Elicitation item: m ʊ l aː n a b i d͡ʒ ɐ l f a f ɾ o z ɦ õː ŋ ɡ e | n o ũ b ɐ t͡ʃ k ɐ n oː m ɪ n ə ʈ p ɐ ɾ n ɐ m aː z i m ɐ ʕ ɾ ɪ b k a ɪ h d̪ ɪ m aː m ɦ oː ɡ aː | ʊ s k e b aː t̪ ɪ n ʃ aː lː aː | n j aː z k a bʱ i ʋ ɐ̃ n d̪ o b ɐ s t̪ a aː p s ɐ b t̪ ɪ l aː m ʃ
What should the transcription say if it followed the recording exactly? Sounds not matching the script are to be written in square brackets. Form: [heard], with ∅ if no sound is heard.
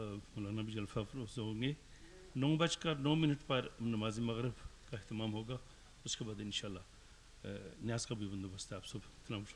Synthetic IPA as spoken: m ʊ l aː n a b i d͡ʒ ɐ l f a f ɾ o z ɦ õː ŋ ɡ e | n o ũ b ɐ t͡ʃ k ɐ n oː m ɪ n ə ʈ p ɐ ɾ n ɐ m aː z i m ɐ [ɣ] ɾ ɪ b k a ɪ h [t̪] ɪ m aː m ɦ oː ɡ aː | ʊ s k e b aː [d̪] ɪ n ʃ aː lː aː | n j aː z k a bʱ i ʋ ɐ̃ n d̪ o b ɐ s t̪ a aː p s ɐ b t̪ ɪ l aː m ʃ